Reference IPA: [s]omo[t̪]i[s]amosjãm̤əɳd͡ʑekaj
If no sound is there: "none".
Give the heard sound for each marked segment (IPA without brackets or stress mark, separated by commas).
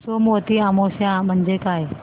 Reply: s, t̪, none